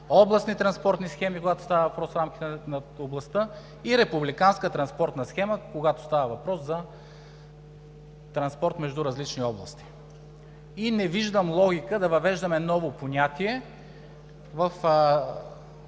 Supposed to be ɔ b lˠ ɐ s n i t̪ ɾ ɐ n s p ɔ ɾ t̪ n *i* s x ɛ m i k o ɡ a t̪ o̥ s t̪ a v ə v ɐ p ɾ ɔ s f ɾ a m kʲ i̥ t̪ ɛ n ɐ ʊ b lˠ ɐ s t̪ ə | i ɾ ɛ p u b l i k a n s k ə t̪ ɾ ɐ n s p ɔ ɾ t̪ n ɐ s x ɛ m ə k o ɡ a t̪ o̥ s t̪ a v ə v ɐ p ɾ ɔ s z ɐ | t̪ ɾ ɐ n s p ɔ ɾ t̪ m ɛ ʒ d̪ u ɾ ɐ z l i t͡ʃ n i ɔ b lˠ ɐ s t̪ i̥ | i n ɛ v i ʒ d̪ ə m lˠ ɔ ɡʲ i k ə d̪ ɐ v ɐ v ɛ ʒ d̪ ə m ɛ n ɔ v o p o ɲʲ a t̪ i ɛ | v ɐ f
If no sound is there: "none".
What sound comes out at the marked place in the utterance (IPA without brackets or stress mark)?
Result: i